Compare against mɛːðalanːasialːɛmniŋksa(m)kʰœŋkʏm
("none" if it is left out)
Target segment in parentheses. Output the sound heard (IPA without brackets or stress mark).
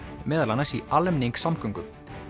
m